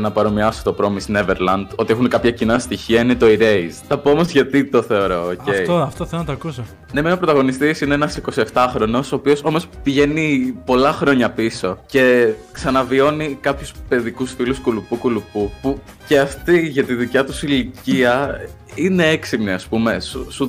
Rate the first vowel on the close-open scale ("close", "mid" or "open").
open